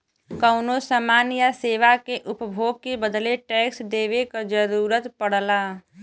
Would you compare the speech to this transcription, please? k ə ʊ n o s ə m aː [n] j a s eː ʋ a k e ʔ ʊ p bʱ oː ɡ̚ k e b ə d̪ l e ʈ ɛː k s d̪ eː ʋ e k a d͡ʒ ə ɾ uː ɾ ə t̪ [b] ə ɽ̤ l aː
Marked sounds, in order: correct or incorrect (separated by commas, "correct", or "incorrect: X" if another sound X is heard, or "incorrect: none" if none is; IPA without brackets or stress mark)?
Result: correct, incorrect: p